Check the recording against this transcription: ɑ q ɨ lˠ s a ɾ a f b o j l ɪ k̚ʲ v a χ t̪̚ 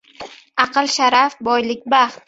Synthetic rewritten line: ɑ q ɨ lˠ ʃ a ɾ a f b ɒ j l ɪ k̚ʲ b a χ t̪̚